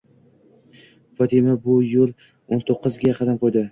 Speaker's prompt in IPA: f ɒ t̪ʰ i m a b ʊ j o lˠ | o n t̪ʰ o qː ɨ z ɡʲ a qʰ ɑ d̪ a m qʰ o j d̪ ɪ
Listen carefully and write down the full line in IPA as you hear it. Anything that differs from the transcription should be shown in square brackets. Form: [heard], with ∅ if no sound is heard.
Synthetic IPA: f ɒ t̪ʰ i m a b ʊ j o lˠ | o n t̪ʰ o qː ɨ z ɡʲ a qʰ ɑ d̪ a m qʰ o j d̪ ɪ